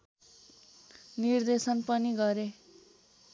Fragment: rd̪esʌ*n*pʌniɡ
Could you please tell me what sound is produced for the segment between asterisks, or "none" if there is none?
n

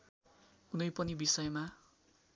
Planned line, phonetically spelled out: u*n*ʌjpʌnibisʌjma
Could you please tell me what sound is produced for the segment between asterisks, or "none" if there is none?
n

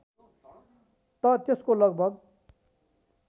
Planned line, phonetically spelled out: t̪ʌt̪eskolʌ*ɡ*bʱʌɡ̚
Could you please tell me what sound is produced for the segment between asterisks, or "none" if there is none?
ɡ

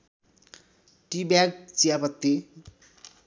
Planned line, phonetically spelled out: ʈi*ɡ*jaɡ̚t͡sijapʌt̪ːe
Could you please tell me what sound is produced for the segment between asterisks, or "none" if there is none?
b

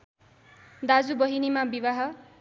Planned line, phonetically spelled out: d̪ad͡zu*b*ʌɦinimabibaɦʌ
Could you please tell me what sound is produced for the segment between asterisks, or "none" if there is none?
b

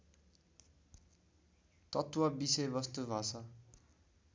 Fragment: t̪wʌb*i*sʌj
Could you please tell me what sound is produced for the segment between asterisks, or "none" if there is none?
i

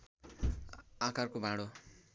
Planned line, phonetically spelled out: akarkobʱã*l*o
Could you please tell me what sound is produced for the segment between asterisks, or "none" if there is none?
ɽ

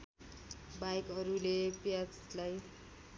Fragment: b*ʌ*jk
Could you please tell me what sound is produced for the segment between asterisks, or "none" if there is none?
a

